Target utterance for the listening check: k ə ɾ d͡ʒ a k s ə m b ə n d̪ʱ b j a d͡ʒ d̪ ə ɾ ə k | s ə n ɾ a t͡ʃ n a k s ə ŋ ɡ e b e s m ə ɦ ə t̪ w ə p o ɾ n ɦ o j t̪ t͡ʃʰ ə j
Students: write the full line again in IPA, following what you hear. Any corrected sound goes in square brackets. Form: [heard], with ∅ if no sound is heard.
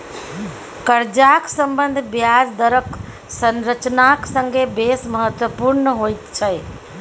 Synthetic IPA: k ə ɾ d͡ʒ a k s ə m b ə n d̪ʱ b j a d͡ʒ d̪ ə ɾ ə k | s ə n ɾ [ə] t͡ʃ n a k s ə ŋ ɡ e b e s m ə ɦ ə t̪ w ə p [u] ɾ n ɦ o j t̪ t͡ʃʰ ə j